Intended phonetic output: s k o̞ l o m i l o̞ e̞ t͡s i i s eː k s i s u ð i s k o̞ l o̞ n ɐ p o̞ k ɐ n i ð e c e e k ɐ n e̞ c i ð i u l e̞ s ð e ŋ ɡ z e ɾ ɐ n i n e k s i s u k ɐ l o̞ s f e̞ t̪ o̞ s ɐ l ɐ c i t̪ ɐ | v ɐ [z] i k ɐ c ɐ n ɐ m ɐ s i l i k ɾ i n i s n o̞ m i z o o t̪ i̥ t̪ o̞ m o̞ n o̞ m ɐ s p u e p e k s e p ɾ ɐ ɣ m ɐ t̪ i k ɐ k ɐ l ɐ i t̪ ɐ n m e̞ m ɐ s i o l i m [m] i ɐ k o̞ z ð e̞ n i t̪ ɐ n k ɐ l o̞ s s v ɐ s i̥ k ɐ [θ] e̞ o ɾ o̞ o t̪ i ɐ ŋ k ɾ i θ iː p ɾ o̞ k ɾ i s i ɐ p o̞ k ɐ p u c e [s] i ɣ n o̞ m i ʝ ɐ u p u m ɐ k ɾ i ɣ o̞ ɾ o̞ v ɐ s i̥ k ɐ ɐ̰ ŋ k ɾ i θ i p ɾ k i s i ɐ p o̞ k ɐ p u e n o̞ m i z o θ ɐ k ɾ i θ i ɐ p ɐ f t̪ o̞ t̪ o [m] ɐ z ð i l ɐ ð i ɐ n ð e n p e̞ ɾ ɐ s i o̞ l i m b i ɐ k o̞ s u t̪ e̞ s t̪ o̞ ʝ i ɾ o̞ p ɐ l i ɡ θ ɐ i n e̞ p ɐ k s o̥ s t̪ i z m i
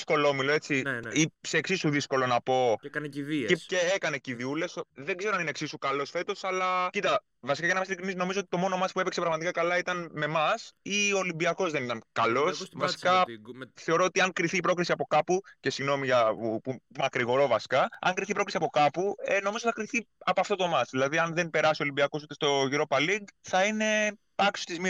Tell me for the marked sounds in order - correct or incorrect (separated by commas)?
incorrect, incorrect, correct, correct, correct